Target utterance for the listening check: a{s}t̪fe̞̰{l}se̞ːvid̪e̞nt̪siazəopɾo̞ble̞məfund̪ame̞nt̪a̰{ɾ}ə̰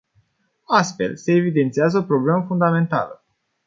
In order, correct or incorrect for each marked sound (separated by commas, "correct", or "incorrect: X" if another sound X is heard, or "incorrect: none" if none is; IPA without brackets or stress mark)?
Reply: correct, correct, incorrect: l